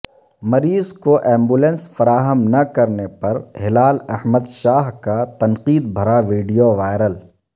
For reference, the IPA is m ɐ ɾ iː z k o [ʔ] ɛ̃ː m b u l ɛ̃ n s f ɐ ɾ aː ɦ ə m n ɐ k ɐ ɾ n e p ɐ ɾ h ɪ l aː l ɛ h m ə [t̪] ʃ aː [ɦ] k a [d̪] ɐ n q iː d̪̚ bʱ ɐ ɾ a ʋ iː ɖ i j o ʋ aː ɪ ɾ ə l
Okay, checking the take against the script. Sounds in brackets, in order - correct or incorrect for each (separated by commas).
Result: correct, incorrect, correct, incorrect